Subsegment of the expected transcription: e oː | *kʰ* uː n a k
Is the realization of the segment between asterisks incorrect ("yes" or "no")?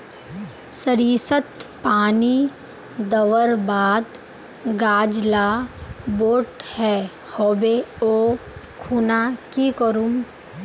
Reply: no